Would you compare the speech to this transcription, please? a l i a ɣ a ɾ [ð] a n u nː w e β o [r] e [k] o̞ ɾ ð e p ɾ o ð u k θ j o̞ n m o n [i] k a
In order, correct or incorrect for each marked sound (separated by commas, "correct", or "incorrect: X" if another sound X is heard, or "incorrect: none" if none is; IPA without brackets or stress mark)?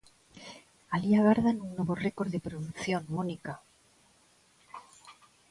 correct, correct, correct, correct